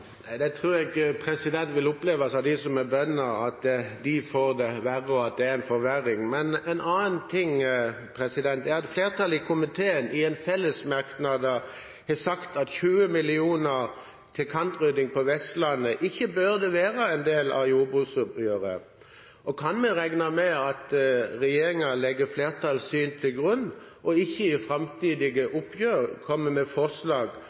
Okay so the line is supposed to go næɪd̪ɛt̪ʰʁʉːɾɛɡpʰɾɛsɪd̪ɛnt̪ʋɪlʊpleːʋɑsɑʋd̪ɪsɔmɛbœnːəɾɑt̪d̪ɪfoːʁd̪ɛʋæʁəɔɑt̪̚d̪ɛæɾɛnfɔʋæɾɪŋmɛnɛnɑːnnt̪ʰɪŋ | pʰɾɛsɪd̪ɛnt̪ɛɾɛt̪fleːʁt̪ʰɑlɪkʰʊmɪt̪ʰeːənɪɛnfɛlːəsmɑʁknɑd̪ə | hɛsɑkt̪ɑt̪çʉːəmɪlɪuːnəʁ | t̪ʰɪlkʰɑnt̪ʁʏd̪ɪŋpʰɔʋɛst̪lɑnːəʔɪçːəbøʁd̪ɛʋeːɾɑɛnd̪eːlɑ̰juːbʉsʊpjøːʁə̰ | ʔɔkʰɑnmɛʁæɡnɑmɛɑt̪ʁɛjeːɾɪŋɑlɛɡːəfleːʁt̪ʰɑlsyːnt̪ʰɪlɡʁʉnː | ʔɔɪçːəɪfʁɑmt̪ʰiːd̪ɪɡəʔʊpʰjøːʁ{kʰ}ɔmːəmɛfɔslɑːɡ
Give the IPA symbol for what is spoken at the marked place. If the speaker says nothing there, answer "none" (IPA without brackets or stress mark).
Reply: kʰ